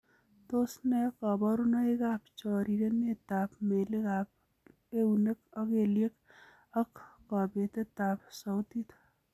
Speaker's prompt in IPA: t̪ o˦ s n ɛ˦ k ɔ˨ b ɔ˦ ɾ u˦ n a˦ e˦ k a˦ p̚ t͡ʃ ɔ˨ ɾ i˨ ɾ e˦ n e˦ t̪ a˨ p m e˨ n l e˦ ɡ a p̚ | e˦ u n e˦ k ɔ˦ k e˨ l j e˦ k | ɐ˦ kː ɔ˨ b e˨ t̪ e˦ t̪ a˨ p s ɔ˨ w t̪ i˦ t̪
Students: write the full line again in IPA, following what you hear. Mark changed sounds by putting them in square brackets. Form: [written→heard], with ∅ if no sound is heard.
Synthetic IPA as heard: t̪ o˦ s n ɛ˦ k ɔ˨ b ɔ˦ ɾ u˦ n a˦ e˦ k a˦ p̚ t͡ʃ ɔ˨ ɾ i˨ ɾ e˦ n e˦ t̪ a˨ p m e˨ [n→∅] l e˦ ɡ a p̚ | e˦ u n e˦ k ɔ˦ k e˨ l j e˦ k | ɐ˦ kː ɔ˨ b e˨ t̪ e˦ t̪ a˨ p s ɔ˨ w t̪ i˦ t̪

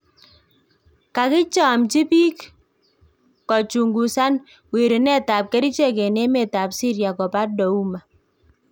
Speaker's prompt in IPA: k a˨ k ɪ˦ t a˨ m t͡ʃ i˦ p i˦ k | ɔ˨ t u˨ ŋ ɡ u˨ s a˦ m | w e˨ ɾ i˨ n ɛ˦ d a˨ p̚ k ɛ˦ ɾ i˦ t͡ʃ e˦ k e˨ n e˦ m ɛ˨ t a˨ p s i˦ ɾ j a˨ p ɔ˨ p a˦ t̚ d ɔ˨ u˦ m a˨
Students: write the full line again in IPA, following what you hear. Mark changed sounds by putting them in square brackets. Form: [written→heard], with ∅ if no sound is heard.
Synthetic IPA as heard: k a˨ k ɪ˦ [t→t͡ʃ] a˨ m t͡ʃ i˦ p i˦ k | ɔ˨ [t→t͡ʃ] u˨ ŋ ɡ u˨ s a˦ [m→n] | w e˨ ɾ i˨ n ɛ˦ [d→t] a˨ p̚ k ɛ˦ ɾ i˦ t͡ʃ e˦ k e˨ n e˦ m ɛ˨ t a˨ p s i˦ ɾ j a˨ [p→k] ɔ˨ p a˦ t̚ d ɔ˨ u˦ m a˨

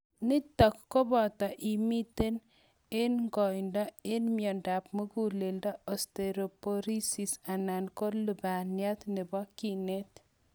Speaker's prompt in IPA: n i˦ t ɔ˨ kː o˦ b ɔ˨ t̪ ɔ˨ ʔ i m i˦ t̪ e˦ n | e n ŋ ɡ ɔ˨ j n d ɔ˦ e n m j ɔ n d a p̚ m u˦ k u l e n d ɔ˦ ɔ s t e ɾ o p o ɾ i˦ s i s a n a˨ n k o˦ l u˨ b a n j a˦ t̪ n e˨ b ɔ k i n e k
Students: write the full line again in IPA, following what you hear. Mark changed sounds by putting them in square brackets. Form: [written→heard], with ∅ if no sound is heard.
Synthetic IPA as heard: n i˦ t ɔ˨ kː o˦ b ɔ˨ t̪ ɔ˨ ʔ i m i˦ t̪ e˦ n | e n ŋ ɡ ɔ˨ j n d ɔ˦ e n m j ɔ n d a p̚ m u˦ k u l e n d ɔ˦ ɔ s t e ɾ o p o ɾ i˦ s i s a n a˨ n k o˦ l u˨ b a n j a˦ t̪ n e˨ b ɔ k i n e [k→t]

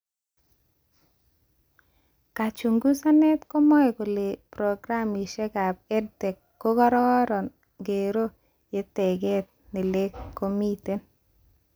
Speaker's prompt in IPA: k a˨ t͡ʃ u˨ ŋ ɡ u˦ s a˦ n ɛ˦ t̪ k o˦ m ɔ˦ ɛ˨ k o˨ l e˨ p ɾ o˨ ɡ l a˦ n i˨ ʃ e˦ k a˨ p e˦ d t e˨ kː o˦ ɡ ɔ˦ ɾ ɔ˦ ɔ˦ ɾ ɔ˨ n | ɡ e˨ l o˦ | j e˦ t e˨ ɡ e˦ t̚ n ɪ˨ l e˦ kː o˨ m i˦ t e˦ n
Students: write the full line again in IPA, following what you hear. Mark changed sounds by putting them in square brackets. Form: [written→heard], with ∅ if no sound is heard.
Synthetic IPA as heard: k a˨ t͡ʃ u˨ ŋ ɡ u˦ s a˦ n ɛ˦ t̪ k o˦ m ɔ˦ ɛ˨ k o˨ l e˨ p ɾ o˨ ɡ [l→ɾ] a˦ [n→m] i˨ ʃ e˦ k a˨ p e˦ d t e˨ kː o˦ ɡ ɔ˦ ɾ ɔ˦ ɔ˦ ɾ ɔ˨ n | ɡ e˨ [l→ɾ] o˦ | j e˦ t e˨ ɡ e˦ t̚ n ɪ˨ l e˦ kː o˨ m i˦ t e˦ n

